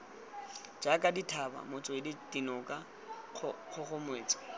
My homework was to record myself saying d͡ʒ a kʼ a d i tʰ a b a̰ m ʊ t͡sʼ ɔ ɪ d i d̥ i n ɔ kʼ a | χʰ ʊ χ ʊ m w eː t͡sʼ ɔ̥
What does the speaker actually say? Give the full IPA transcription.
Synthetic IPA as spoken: d͡ʒ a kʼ a d i tʰ a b a̰ m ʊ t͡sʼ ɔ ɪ d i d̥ i n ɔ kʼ a | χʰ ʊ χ ʊ m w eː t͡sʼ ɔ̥